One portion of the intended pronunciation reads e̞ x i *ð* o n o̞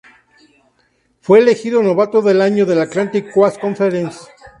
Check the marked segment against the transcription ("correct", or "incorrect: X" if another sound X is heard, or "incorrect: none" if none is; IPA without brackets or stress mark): correct